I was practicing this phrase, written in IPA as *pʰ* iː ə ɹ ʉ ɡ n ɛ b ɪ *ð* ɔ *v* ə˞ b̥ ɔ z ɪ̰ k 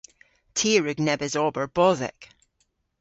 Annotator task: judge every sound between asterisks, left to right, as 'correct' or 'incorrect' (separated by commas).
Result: incorrect, incorrect, incorrect